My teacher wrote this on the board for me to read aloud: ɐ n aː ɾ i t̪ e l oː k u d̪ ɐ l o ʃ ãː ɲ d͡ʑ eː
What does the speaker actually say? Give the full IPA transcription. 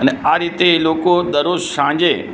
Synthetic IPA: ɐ n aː ɾ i t̪ e l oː k o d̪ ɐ ɾ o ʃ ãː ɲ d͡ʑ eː